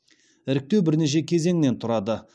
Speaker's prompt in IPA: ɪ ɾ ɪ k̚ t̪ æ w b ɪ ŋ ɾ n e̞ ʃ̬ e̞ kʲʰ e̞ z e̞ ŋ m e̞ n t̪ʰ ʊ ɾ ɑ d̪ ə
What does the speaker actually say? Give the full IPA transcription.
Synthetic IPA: ɪ ɾ ɪ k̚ t̪ e w b ɪ ɾ n e̞ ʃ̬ e̞ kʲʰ e̞ z e̞ ŋ n e̞ n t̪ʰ ʊ ɾ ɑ d̪ ə